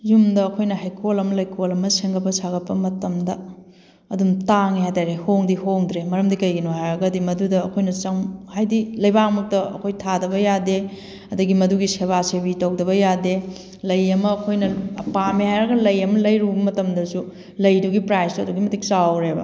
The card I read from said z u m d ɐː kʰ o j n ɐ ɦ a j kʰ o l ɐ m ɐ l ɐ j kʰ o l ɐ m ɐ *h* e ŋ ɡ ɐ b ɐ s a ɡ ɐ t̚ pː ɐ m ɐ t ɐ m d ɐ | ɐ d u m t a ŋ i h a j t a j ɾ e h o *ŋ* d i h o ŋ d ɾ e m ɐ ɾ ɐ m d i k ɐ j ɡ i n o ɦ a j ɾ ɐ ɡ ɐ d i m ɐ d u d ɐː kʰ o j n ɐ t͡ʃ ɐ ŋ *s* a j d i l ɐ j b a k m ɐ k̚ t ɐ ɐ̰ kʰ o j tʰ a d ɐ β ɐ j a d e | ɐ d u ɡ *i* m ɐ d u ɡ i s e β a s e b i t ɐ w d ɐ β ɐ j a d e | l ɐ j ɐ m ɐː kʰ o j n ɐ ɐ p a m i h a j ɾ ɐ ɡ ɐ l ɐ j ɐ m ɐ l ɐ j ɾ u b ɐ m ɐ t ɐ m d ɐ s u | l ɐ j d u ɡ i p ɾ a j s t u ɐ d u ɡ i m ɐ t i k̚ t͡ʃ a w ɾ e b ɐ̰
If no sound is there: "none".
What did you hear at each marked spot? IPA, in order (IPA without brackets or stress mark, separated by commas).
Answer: s, ŋ, h, i